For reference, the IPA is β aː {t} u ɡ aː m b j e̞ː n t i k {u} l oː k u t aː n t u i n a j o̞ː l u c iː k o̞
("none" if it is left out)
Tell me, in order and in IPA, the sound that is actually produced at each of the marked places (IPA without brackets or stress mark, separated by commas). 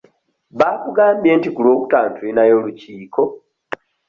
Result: k, u